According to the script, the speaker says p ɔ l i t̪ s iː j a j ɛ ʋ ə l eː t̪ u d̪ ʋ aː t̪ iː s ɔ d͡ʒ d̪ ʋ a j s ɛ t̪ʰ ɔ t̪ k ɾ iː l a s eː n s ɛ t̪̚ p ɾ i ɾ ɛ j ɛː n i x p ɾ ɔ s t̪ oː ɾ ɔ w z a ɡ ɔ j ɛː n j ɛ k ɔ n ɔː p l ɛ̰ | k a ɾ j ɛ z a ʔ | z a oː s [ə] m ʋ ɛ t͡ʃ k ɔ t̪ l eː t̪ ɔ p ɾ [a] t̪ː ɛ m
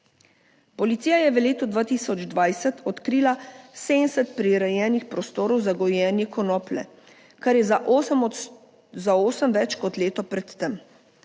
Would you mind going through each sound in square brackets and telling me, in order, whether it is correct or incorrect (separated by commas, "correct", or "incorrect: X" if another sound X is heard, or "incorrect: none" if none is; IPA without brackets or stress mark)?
correct, incorrect: ɛ